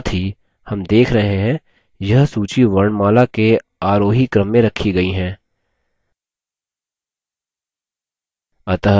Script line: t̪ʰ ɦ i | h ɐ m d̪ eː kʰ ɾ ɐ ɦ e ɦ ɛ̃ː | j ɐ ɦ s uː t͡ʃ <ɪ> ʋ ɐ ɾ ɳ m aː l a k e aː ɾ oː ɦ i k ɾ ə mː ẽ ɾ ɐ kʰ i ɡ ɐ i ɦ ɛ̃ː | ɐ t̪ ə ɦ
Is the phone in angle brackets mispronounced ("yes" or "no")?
yes